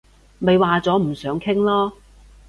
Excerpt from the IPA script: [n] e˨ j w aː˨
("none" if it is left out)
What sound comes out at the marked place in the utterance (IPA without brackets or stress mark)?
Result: m